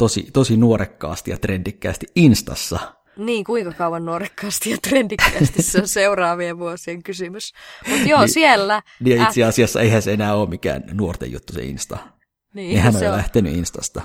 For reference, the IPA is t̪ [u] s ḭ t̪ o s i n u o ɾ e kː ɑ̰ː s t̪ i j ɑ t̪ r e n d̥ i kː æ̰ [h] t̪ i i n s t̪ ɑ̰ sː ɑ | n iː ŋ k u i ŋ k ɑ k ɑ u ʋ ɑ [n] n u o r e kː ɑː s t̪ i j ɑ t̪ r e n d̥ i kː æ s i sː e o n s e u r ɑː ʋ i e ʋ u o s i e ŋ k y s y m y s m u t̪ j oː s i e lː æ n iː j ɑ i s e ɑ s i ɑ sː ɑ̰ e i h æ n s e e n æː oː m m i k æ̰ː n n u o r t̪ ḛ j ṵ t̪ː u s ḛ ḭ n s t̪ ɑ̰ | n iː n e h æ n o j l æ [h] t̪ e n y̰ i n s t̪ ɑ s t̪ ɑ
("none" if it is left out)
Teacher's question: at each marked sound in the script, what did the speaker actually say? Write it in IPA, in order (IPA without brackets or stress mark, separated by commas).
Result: o, s, n, h